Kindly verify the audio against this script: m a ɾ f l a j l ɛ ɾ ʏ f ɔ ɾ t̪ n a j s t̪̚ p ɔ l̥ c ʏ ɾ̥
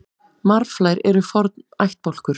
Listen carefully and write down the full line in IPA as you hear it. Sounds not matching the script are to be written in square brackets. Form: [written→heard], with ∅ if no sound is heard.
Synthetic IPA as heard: m a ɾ f l a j [l→ɾ] ɛ ɾ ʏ f ɔ ɾ t̪ n a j [s→h] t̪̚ p ɔ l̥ [c→k] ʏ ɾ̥